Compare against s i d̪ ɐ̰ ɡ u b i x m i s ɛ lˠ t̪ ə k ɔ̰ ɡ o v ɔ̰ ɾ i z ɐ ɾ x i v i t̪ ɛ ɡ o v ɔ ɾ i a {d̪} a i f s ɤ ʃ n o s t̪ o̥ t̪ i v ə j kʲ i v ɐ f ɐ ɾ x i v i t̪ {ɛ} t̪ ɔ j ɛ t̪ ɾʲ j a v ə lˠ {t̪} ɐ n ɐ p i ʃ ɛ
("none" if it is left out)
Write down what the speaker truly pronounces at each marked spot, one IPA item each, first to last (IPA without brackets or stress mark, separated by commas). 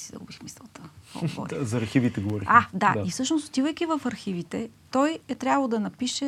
d̪, ɛ, d̪